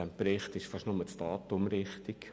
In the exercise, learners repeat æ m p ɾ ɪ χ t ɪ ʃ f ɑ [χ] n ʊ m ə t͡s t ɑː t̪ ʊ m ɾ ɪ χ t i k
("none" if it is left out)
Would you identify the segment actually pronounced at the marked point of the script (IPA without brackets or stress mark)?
ʃ